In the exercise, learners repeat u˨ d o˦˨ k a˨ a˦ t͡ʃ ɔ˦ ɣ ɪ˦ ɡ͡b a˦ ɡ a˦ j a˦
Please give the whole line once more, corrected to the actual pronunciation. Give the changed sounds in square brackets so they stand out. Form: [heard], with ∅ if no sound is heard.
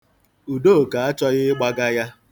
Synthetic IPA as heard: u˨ d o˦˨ k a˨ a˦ t͡ʃ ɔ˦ ɣ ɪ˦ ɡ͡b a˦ ɡ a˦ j a˦